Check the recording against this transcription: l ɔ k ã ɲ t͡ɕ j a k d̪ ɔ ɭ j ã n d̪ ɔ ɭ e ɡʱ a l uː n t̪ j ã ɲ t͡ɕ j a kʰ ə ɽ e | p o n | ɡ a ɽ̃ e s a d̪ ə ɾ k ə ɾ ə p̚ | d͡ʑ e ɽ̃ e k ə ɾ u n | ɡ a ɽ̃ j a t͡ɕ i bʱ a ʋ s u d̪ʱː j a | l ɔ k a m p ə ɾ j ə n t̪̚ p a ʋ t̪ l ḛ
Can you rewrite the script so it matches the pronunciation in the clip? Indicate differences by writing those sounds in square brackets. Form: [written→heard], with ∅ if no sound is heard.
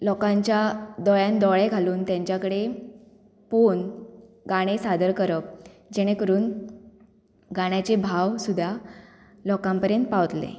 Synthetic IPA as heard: l ɔ k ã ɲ t͡ɕ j a [k→∅] d̪ ɔ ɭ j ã n d̪ ɔ ɭ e ɡʱ a l uː n t̪ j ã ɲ t͡ɕ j a [kʰ→k] ə ɽ e | p o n | ɡ a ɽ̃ e s a d̪ ə ɾ k ə ɾ ə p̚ | d͡ʑ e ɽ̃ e k ə ɾ [u→uː] n | ɡ a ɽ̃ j a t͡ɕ [i→e] bʱ a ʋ s u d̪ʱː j a | l ɔ k a m p ə ɾ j ə n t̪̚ p a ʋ t̪ l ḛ